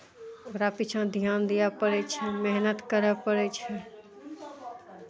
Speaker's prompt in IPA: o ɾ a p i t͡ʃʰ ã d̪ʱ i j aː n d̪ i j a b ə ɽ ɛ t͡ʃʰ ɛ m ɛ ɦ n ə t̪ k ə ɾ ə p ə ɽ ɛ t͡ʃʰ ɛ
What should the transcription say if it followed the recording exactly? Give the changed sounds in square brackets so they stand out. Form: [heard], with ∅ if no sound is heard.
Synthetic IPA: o ɾ a p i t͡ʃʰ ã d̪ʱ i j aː n d̪ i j a [p] ə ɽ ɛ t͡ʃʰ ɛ m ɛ ɦ n ə t̪ k ə ɾ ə p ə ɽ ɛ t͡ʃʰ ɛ